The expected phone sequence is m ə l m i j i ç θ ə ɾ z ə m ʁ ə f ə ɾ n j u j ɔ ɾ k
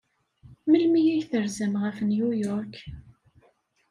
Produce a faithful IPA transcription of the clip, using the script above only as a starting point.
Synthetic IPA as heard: m ə l m i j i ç θ ə ɾ z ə m ʁ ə f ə n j u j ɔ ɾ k